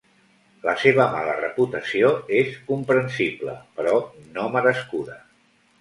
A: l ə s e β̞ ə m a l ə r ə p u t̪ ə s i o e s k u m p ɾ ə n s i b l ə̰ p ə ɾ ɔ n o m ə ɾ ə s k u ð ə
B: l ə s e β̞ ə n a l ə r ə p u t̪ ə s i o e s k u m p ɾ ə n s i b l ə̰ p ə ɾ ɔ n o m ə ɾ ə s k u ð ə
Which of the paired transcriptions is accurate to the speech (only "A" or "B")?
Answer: A